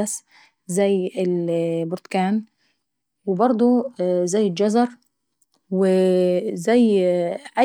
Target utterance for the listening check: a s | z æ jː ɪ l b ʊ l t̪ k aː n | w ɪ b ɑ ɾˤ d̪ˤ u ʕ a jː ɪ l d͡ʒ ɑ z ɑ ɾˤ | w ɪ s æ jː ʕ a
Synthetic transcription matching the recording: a s | z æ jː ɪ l b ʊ ɾ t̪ k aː n | w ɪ b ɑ ɾˤ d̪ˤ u z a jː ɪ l d͡ʒ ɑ z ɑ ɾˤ | w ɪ z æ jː ʕ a